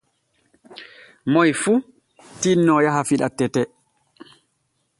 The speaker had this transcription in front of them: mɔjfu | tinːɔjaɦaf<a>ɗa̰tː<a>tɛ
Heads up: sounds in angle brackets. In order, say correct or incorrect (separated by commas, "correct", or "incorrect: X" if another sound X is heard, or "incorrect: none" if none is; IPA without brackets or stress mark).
incorrect: i, incorrect: ɛ